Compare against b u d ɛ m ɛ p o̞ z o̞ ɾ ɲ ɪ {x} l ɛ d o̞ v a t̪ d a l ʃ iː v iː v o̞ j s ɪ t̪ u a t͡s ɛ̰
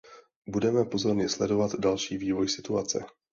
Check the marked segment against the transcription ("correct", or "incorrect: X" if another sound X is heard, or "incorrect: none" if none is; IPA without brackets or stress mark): incorrect: s